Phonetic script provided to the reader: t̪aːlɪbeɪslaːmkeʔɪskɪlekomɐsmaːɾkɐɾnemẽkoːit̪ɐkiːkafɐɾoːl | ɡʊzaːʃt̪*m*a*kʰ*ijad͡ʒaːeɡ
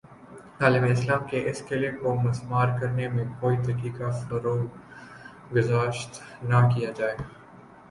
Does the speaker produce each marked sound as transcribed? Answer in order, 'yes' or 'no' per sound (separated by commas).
no, no